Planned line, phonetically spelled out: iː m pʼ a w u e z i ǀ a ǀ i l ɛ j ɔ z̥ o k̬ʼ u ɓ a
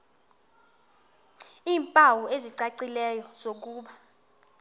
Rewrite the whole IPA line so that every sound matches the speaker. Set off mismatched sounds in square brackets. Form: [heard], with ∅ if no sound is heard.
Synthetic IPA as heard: iː m pʼ a w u e z i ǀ a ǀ i l ɛ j ɔ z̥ o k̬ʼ [uː] ɓ a

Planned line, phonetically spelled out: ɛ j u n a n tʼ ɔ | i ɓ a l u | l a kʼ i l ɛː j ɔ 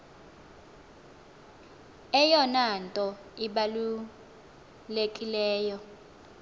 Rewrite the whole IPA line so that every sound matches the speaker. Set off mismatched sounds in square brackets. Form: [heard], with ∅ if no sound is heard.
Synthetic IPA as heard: ɛ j [ɔ] n a n tʼ ɔ | i ɓ a l u | l [e] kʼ i l ɛː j ɔ

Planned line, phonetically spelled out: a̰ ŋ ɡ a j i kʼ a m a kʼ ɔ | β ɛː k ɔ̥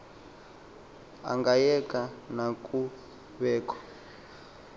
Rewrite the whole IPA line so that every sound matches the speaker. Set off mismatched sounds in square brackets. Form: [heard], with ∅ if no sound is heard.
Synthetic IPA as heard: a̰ ŋ ɡ a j [ɛ] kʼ a [n] a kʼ [u] | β ɛː k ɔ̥

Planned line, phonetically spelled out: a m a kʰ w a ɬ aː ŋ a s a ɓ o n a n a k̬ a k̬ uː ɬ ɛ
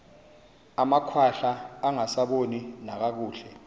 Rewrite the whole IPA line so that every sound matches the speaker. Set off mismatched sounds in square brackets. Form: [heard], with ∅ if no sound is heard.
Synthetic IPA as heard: a m a kʰ w a ɬ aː ŋ a s a ɓ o n [i] n a k̬ a k̬ uː ɬ ɛ

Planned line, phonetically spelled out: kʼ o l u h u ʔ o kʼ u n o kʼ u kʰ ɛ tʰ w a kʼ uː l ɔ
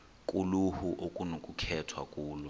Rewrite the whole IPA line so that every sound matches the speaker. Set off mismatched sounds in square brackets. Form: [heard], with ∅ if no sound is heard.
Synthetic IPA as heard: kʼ [u] l u h u ʔ o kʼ u n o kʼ u kʰ ɛ tʰ w a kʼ uː l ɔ

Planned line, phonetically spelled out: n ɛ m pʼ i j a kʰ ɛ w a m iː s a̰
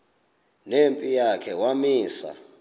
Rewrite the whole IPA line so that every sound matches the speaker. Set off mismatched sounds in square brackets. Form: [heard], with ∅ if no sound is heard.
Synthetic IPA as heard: n [e] m pʼ i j a kʰ ɛ w a m iː s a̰

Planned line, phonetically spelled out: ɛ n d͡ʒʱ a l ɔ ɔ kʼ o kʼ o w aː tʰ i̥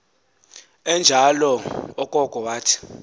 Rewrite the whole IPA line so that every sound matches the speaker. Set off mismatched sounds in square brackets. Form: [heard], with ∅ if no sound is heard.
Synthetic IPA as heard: ɛ n d͡ʒʱ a l ɔ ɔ kʼ [ɔ] kʼ [ɔ] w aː tʰ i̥

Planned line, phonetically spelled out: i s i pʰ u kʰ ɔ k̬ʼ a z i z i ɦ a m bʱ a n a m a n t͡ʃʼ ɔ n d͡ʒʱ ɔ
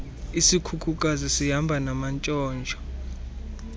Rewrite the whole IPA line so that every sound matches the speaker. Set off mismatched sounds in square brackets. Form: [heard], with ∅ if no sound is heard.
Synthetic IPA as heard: i s i [kʰ] u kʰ [u] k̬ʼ a z i [s] i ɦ a m bʱ a n a m a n t͡ʃʼ [ɔː] n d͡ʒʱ ɔ

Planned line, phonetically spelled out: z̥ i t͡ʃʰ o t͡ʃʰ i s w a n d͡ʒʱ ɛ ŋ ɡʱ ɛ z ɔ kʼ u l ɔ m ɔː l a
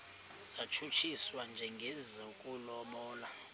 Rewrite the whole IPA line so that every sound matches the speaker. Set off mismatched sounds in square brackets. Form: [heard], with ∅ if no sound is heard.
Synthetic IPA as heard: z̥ [a] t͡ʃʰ [u] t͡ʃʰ i s w a n d͡ʒʱ ɛ ŋ ɡʱ ɛ z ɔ kʼ u l ɔ m ɔː l a

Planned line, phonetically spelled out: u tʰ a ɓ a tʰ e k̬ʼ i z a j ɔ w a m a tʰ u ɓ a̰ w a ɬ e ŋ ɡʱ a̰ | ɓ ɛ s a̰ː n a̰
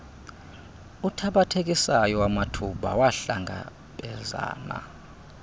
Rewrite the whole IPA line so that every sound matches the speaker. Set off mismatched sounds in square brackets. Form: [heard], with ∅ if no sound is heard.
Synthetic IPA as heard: u tʰ a ɓ a tʰ e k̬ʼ i [s] a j ɔ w a m a tʰ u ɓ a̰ w a ɬ [a] ŋ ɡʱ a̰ | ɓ ɛ [z] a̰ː n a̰

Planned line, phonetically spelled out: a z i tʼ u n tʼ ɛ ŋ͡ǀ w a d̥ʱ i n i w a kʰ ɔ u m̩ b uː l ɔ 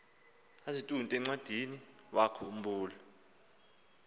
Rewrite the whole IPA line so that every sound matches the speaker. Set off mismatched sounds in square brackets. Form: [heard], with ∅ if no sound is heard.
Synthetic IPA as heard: a z i tʼ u n tʼ ɛ ŋ͡ǀ w a d̥ʱ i n i w a kʰ ɔ u m̩ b uː l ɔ

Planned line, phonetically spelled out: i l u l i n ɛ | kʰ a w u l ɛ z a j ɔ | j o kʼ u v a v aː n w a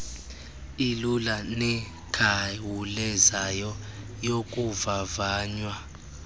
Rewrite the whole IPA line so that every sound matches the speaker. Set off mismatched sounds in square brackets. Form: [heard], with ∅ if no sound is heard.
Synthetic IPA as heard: i l u l [a] n ɛ | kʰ a w u l ɛ z a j ɔ | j o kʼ u v a v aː [ɲ] w a

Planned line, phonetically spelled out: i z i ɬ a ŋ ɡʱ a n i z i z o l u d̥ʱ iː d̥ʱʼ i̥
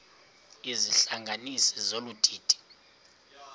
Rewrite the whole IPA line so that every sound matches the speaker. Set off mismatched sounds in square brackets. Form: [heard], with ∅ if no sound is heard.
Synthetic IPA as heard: i z i ɬ a ŋ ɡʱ a n i [s] i z o l u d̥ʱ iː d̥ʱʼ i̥

